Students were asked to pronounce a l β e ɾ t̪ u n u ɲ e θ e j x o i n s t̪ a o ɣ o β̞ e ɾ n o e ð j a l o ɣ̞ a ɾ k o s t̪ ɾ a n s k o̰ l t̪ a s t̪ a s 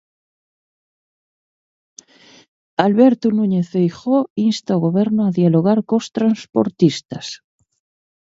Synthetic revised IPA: a l β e ɾ t̪ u n u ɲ e θ e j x o i n s t̪ a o ɣ o β̞ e ɾ n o a ð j a l o ɣ̞ a ɾ k o s t̪ ɾ a n s p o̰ ɾ t̪ i s t̪ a s